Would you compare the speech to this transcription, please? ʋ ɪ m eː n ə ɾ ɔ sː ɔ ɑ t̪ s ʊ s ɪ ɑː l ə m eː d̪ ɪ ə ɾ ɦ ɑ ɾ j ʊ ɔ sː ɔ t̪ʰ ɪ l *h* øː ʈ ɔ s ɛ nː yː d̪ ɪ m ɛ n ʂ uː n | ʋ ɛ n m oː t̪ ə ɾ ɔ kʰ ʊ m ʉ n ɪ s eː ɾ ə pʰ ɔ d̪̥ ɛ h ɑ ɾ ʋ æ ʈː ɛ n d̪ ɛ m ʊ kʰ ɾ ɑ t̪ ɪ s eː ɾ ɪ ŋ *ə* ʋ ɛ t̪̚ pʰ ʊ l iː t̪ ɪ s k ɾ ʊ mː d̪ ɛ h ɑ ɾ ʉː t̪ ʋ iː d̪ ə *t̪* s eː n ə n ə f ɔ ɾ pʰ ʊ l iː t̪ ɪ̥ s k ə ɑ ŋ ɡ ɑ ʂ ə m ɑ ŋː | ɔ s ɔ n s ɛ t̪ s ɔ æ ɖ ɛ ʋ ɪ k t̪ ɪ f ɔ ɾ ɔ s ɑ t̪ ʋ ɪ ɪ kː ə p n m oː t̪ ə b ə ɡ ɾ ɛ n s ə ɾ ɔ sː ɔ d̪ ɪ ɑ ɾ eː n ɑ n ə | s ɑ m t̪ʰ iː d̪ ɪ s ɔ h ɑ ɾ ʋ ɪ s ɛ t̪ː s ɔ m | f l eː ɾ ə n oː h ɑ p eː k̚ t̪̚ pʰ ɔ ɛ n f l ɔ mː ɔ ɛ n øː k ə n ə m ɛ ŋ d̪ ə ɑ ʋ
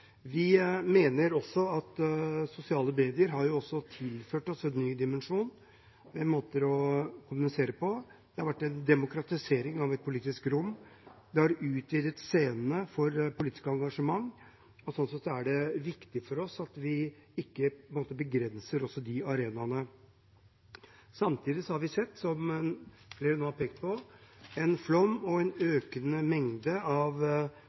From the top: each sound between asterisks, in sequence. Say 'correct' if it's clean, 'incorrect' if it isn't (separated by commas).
incorrect, incorrect, correct